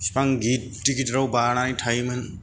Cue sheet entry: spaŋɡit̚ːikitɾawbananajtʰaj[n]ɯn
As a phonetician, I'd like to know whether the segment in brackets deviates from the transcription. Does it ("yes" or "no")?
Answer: yes